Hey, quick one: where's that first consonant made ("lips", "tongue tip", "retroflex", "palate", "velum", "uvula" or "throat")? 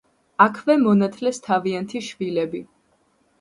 velum